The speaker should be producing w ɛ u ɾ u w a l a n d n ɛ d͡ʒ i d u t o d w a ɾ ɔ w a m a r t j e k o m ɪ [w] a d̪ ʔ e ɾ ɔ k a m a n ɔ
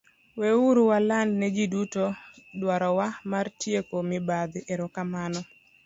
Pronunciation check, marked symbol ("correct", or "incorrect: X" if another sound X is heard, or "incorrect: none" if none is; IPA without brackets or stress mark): incorrect: b